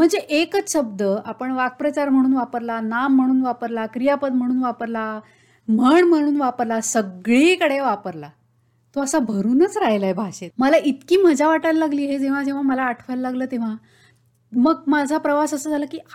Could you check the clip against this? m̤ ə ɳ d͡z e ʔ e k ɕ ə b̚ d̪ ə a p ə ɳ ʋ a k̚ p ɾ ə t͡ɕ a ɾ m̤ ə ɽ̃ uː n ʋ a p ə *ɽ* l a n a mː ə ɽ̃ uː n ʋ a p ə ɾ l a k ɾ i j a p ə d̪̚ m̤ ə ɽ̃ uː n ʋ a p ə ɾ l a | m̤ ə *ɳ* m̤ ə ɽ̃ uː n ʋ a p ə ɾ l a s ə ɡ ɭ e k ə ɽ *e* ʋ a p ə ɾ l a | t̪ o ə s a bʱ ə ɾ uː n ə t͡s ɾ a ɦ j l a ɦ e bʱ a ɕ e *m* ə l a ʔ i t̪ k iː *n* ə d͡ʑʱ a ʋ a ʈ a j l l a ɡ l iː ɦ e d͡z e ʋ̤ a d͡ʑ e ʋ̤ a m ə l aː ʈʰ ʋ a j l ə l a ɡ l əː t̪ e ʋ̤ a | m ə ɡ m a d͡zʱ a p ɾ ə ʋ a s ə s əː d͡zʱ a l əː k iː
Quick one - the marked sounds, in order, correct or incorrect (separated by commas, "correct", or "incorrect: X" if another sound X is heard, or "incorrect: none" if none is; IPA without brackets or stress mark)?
incorrect: ɾ, correct, correct, correct, incorrect: m